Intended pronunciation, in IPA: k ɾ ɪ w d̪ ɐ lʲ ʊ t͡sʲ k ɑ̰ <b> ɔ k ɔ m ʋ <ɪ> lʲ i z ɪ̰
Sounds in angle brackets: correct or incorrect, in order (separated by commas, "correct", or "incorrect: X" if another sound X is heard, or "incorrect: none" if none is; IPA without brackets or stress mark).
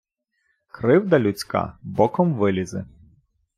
correct, correct